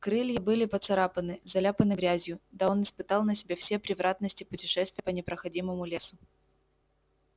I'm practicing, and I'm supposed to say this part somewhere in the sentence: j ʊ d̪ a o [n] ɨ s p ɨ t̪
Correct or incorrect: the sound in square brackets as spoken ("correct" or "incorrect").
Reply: correct